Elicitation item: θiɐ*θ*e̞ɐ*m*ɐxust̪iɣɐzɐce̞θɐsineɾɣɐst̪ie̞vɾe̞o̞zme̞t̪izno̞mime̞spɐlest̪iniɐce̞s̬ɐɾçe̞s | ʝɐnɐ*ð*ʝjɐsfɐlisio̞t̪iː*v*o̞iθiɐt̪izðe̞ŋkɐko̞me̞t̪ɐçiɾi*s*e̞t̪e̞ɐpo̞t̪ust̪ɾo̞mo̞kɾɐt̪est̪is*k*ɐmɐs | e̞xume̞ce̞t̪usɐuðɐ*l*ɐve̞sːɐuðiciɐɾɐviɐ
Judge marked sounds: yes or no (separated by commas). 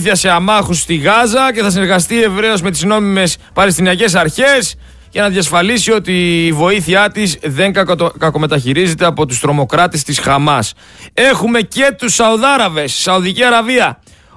no, yes, yes, yes, no, no, no